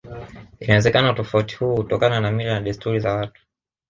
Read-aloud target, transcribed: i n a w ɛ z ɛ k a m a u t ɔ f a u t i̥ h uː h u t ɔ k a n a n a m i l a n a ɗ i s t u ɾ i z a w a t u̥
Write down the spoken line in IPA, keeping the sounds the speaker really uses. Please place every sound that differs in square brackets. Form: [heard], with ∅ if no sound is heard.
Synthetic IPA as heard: i n a w ɛ z ɛ k a [n] a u t ɔ f a u t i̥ h uː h u t ɔ k a n a n a m i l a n a ɗ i s t u ɾ i z a w a t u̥

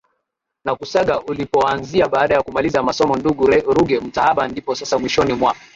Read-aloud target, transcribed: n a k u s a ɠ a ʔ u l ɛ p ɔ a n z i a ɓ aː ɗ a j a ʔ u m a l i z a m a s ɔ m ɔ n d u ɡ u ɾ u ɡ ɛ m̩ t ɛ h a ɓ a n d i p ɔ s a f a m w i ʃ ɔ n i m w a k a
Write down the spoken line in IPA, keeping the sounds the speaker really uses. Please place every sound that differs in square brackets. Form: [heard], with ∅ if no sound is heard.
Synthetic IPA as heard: n a k u s a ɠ a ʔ u l [i] p ɔ a n z i a ɓ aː ɗ a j a [k] u m a l i z a m a s ɔ m ɔ n d u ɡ u ɾ u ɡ ɛ m̩ t [a] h a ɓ a n d i p ɔ s a [s] a m w i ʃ ɔ n i m w a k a

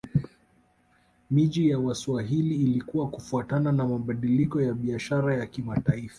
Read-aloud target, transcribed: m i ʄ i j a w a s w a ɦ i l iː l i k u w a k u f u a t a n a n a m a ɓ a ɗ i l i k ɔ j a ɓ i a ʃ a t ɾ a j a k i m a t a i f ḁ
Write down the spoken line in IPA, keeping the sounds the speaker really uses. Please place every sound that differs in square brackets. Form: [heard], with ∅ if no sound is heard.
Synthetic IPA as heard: m i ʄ i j a w a s w a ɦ i l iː l i k u w a k u f u a t a n a n a m a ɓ a ɗ i l i k ɔ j a ɓ i a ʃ a [∅] ɾ a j a k i m a t a i f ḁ

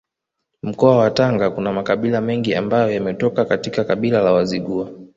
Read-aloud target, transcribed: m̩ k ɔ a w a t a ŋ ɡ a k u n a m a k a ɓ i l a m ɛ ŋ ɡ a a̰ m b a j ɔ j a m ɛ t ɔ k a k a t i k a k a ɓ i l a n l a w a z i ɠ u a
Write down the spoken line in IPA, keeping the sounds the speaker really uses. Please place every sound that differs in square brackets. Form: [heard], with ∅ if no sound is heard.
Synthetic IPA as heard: m̩ k ɔ a w a t a ŋ ɡ a k u n a m a k a ɓ i l a m ɛ ŋ ɡ [i] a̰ m b a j ɔ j a m ɛ t ɔ k a k a t i k a k a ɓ i l a [∅] l a w a z i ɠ u a

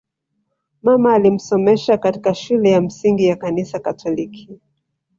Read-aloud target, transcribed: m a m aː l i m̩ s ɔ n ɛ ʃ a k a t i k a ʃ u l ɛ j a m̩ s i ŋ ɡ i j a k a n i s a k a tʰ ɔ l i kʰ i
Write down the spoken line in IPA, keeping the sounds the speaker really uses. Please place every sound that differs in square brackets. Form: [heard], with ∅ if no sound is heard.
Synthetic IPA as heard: m a m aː l i m̩ s ɔ [m] ɛ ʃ a k a t i k a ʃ u l ɛ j a m̩ s i ŋ ɡ i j a k a n i s a k a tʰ ɔ l i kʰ i

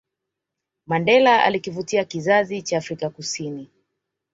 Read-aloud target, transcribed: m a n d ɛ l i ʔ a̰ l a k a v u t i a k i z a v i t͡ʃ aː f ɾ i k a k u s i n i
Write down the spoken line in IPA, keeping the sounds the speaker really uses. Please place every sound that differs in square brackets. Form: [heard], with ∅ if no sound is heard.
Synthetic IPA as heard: m a n d ɛ l [a] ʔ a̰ l [i] k [i] v u t i a k i z a [z] i t͡ʃ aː f ɾ i k a k u s i n i

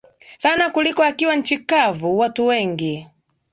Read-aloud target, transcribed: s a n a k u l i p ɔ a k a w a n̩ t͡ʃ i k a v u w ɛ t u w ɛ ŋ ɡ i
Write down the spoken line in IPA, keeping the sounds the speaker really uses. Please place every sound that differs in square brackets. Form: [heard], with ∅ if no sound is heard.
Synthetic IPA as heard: s a n a k u l i [k] ɔ a k [i] w a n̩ t͡ʃ i k a v u w [a] t u w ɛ ŋ ɡ i

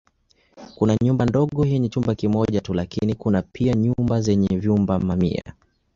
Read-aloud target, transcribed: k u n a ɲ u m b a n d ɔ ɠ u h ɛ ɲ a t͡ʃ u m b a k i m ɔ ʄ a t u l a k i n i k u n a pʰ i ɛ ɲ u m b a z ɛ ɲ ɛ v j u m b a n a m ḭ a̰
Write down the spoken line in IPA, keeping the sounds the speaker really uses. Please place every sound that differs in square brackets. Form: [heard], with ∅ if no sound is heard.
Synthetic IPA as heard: k u n a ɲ u m b a n d ɔ ɠ [ɔ] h ɛ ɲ [ɛ] t͡ʃ u m b a k i m ɔ ʄ a t u l a k i n i k u n a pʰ i [a] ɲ u m b a z ɛ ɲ ɛ v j u m b a [m] a m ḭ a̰

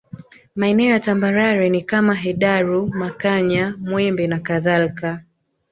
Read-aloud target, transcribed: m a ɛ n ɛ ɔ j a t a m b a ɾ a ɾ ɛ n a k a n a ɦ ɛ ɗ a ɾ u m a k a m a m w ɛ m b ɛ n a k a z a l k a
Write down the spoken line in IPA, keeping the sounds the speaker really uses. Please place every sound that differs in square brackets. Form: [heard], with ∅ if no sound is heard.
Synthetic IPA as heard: m a ɛ n ɛ ɔ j a t a m b a ɾ a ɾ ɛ n [i] k a [m] a ɦ ɛ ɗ a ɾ u m a k a [ɲ] a m w ɛ m b ɛ n a k a [ð] a l k a

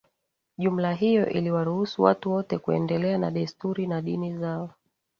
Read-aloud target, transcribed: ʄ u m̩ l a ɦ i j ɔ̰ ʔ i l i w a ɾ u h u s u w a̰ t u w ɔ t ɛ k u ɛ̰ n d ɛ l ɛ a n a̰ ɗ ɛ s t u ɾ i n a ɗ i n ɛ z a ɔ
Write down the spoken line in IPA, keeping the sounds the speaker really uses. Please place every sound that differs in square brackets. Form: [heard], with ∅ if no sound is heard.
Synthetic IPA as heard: ʄ u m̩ l a ɦ i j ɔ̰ ʔ i l i w a ɾ u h u s u w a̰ t u w ɔ t ɛ k u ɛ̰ n d ɛ l ɛ a n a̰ ɗ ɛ s t u ɾ i n a ɗ i n [i] z a ɔ

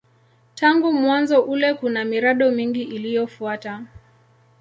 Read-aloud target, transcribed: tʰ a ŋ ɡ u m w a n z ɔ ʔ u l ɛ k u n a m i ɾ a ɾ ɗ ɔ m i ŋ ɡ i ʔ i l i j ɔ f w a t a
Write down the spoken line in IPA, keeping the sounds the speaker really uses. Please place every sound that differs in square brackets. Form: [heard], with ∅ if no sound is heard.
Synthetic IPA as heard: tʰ a ŋ ɡ u m w a n z ɔ ʔ u l ɛ k u n a m i ɾ a [∅] ɗ ɔ m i ŋ ɡ i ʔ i l i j ɔ f [u] a t a

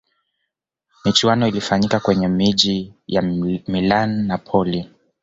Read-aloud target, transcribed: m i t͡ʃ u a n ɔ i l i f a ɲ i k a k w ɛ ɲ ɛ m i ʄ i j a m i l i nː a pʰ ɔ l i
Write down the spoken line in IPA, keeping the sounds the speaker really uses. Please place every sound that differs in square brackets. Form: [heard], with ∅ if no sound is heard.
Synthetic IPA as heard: m i t͡ʃ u a n ɔ i l i f a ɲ i k a k w ɛ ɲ ɛ m i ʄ i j a m i l [a] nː a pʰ ɔ l i

